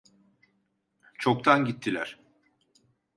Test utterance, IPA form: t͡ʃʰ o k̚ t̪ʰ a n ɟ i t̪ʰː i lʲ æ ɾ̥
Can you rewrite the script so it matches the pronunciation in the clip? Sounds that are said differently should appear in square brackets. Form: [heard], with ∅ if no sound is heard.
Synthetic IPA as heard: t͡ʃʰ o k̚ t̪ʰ a n ɟ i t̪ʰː i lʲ æ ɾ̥